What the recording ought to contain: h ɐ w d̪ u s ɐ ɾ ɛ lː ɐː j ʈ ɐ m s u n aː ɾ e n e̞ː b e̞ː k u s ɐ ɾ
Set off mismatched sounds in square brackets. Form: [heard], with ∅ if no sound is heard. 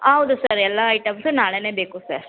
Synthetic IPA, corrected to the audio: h ɐ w d̪ u s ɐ ɾ ɛ lː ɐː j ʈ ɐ m s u n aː [ɭ] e n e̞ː b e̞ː k u s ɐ ɾ